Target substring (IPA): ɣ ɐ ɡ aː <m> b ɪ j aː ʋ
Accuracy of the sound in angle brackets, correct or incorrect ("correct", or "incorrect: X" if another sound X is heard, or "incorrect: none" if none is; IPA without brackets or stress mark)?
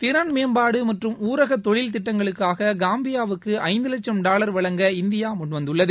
correct